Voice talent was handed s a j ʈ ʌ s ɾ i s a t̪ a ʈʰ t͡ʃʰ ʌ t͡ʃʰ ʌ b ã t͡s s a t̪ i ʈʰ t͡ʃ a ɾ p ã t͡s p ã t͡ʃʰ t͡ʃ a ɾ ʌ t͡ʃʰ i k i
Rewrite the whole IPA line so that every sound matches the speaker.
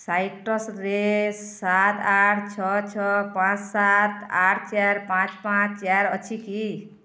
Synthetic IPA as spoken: s a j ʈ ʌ s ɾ e s a t̪ a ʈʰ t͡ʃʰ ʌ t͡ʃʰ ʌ p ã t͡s s a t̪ a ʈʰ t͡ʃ a ɾ p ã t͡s p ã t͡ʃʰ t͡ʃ a ɾ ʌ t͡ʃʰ i k i